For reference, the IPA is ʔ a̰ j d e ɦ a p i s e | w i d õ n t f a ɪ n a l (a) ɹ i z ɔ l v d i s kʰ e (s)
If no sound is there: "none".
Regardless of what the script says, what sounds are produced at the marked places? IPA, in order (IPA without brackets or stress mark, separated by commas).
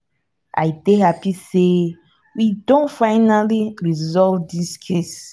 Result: i, s